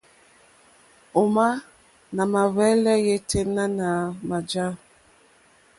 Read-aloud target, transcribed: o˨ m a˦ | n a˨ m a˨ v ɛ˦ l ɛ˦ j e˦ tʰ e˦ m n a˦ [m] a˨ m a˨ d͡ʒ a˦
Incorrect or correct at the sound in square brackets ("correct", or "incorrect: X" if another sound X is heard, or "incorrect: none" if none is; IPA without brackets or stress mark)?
incorrect: n